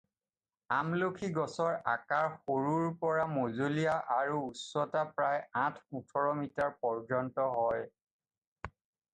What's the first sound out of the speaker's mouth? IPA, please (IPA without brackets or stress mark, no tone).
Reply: a